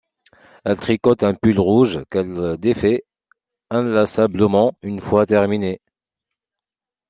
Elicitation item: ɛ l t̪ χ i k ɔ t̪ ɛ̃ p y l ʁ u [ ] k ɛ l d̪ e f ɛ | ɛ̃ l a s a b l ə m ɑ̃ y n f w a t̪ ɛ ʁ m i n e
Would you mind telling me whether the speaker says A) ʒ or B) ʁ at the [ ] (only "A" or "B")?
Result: A